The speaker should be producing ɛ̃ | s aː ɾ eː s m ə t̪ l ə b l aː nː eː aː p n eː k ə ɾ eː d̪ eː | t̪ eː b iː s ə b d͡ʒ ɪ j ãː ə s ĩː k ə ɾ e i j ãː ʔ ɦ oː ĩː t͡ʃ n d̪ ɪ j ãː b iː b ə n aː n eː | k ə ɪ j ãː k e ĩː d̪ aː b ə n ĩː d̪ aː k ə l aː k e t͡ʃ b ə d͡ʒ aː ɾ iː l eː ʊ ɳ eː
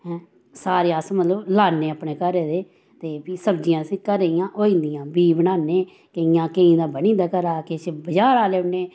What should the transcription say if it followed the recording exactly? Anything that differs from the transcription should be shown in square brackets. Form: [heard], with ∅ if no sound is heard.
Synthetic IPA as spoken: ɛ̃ | s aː ɾ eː s m ə t̪ l ə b l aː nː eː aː p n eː k ə ɾ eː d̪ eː | t̪ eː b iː s ə b d͡ʒ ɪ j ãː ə s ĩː k ə ɾ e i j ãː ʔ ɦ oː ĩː [∅] n d̪ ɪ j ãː b iː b ə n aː n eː | k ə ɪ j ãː k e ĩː d̪ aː b ə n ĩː d̪ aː k ə [ɾ] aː k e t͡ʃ b ə d͡ʒ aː ɾ [aː] l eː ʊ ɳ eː